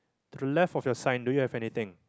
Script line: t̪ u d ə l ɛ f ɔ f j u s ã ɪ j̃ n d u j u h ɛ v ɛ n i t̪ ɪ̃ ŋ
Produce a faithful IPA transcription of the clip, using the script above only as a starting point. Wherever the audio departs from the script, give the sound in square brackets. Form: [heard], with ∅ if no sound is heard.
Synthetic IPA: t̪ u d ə l ɛ f ɔ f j [ɔ] s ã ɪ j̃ n d u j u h ɛ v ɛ n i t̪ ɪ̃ ŋ